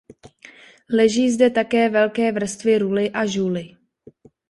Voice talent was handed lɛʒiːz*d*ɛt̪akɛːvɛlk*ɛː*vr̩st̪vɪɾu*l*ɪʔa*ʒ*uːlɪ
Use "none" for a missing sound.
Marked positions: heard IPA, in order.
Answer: d, ɛː, l, ʒ

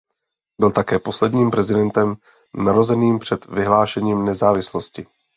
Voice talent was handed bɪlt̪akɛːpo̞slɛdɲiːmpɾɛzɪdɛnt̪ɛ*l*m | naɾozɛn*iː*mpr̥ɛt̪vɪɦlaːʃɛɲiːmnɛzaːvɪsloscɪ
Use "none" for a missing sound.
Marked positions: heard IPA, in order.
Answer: none, iː

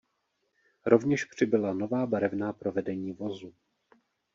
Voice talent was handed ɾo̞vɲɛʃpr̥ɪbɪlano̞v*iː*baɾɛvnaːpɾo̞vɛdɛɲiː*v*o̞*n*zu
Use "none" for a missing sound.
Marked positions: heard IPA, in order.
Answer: aː, v, none

